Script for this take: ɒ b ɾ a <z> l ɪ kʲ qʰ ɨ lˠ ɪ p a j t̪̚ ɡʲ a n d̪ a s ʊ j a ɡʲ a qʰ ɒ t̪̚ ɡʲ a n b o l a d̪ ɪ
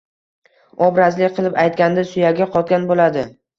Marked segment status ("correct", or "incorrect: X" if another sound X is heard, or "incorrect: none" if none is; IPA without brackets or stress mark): correct